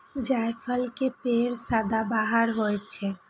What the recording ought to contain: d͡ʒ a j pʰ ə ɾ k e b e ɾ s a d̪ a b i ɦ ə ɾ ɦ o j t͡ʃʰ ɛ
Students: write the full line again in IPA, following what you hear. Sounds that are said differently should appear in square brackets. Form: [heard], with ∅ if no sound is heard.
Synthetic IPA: d͡ʒ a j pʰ ə [l] k e [p] e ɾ s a d̪ a b [a] ɦ ə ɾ ɦ o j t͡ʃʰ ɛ